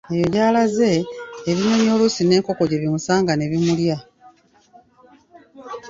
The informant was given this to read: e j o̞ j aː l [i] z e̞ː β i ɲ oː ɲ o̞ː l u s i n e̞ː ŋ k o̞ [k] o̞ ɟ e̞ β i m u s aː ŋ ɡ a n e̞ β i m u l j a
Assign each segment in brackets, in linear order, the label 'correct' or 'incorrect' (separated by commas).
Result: incorrect, correct